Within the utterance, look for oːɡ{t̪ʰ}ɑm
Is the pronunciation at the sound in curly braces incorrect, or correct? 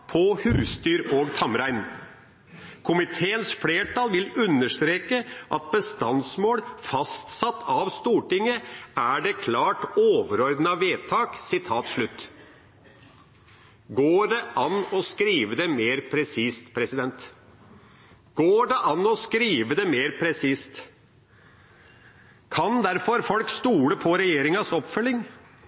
correct